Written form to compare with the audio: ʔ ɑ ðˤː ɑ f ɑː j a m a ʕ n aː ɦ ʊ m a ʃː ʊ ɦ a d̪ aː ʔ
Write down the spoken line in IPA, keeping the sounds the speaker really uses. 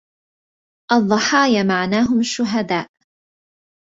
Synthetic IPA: ʔ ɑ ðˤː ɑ ħ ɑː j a m a ʕ n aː ɦ ʊ m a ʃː ʊ ɦ a d̪ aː ʔ